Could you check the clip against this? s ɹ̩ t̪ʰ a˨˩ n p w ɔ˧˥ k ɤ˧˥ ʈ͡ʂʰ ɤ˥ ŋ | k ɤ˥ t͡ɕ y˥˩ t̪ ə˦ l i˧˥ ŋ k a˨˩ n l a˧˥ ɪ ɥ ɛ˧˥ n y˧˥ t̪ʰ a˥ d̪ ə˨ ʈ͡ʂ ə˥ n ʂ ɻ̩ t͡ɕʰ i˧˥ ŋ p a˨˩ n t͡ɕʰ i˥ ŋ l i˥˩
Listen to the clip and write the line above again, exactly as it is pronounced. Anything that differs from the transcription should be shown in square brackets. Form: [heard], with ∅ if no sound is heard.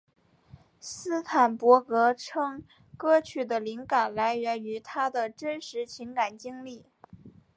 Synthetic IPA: s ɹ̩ t̪ʰ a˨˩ n p w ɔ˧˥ k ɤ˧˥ ʈ͡ʂʰ ɤ˥ ŋ | k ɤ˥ [t͡ɕʰ] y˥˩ [d̪] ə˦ l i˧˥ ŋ k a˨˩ n l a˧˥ ɪ ɥ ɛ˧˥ n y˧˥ t̪ʰ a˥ d̪ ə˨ ʈ͡ʂ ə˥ n ʂ ɻ̩ t͡ɕʰ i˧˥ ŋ [k] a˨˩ n [t͡ɕ] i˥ ŋ l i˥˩